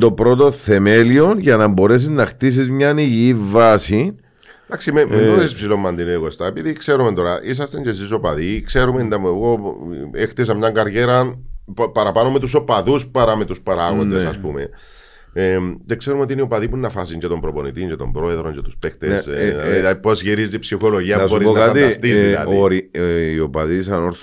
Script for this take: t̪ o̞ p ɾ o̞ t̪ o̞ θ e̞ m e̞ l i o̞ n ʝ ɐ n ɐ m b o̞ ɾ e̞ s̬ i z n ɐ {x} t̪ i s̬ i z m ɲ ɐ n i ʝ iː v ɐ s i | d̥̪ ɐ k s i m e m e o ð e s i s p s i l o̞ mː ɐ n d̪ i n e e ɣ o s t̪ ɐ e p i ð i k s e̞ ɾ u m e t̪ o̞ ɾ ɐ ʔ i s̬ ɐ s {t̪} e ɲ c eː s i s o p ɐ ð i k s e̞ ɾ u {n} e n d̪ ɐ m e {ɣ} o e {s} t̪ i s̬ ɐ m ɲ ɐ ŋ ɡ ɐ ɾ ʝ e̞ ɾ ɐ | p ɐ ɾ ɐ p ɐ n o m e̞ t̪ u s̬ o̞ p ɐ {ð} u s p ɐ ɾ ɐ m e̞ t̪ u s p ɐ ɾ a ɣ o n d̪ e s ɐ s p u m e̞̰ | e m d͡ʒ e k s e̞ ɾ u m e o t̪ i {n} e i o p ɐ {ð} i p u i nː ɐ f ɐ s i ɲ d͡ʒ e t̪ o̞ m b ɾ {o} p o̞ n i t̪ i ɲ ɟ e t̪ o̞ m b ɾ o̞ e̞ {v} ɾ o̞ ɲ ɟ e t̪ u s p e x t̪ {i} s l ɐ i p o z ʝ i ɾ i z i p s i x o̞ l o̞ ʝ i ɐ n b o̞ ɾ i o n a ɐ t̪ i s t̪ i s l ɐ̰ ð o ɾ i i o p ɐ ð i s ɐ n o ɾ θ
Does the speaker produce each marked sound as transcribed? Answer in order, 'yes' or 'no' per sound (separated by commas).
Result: yes, yes, no, yes, no, yes, yes, yes, yes, no, no